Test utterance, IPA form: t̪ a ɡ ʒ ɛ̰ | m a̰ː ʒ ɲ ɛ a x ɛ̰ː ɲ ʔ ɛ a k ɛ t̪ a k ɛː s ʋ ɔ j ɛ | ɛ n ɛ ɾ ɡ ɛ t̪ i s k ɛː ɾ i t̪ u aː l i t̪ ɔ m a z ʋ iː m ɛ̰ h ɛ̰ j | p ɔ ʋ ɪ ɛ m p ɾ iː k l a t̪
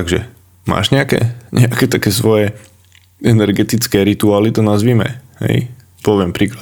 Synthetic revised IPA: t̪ a ɡ ʒ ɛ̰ | m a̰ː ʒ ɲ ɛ a k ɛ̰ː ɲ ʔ ɛ a k ɛ t̪ a k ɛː s ʋ ɔ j ɛ | ɛ n ɛ ɾ ɡ ɛ t̪ i t͡s k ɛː ɾ i t̪ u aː l i t̪ ɔ n a z ʋ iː m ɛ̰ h ɛ̰ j | p ɔ ʋ ɪ ɛ m p ɾ iː k l a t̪